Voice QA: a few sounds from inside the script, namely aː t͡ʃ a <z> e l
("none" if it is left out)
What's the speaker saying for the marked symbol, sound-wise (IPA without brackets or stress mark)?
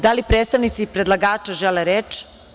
ʒ